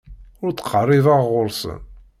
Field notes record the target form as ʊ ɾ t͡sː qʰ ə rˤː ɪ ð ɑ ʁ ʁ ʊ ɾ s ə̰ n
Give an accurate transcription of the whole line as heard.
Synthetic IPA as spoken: ʊ ɾ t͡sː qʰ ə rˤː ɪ ð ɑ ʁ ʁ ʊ ɾ s ə̰ n